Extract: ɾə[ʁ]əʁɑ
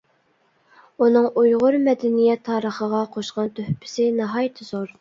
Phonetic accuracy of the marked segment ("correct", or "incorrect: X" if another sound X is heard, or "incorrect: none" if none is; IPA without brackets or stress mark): incorrect: χ